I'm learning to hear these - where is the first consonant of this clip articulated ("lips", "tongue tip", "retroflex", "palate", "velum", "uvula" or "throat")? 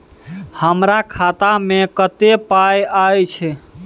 throat